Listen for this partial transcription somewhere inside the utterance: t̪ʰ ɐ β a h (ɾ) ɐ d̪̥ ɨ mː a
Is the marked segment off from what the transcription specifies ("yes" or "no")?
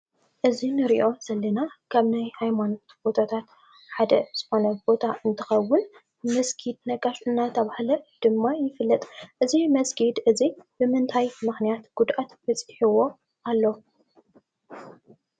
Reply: yes